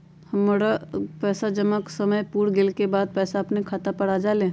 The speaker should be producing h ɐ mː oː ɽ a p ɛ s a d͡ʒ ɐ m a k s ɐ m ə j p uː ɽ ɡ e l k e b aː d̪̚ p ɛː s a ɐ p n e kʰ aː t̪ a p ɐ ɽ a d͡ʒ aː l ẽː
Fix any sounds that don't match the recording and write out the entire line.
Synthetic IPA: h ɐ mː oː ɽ a p ɛː s a d͡ʒ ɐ m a k s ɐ m ə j p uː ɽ ɡ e l k e b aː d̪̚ p ɛː s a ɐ p n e kʰ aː t̪ a p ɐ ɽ a d͡ʒ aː l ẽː

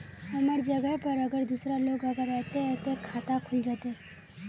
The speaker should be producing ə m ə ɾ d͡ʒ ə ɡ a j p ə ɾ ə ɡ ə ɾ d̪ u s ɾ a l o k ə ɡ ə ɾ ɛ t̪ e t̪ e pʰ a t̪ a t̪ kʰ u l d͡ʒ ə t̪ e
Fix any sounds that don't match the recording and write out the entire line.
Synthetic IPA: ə m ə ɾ d͡ʒ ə ɡ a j p ə ɾ ə ɡ ə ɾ d̪ u s ɾ a l o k ə ɡ ə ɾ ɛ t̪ e t̪ e kʰ a t̪ a kʰ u l d͡ʒ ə t̪ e

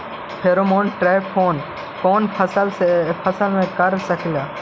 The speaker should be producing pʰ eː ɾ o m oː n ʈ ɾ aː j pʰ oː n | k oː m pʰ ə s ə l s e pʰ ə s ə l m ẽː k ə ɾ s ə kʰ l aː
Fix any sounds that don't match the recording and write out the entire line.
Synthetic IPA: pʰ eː ɾ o m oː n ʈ ɾ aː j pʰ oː n | k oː n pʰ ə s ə l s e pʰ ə s ə l m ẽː k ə ɾ s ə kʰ l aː

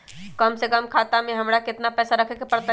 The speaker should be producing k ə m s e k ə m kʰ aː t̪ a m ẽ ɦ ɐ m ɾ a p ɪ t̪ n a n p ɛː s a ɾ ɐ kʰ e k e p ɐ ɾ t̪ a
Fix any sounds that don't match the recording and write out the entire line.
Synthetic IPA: k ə m s e k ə m kʰ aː t̪ a m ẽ ɦ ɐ m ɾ a k ɪ t̪ n a p ɛː s a ɾ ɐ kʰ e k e p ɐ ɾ t̪ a

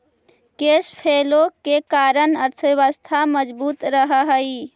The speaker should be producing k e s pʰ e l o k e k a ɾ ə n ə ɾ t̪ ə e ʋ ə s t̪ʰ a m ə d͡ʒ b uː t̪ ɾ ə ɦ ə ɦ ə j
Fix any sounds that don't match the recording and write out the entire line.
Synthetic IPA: k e s pʰ e l o k e k a ɾ ə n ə ɾ t̪ʰ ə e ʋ ə s t̪ʰ a m ə d͡ʒ b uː t̪ ɾ ə ɦ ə ɦ ə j

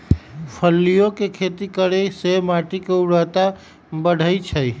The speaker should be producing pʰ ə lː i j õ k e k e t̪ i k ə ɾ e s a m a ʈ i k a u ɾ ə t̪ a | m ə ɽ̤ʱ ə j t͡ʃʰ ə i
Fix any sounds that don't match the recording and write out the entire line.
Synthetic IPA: pʰ ə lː i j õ k e kʰ e t̪ i k ə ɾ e s e m a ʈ i k e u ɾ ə t̪ a | b ə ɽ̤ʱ ə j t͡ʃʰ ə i

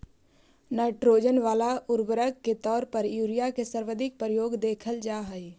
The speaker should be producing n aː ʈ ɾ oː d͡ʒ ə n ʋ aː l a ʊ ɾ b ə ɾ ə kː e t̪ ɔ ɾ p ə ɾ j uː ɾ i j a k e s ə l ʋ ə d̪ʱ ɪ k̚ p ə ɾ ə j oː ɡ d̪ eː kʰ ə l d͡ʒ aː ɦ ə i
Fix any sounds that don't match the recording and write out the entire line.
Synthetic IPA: n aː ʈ ɾ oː d͡ʒ ə n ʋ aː l a ʊ ɾ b ə ɾ ə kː e t̪ ɔː ɾ p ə ɾ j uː ɾ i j a k e s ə ɾ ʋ ə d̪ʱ ɪ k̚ p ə ɾ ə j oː ɡ d̪ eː kʰ ə l d͡ʒ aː ɦ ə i

